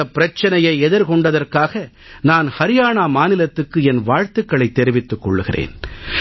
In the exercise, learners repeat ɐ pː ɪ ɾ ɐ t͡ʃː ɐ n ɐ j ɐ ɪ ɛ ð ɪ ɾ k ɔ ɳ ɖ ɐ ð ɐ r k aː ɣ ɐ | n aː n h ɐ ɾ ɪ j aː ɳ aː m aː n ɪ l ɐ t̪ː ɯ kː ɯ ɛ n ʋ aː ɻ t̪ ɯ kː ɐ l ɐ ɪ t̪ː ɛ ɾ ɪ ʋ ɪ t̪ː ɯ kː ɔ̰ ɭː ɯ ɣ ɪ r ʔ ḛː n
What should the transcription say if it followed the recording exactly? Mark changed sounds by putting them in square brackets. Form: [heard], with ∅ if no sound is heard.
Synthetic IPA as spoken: ɐ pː ɪ ɾ ɐ t͡ʃː ɐ n ɐ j ɐ ɪ ɛ ð ɪ ɾ k ɔ ɳ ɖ ɐ ð ɐ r k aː ɣ ɐ | n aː n h ɐ ɾ ɪ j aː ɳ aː m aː n ɪ l ɐ t̪ː ɯ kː ɯ ɛ n ʋ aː ɻ t̪ ɯ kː ɐ [ɭ] ɐ ɪ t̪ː ɛ ɾ ɪ ʋ ɪ t̪ː ɯ kː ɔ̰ ɭː ɯ ɣ ɪ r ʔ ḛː n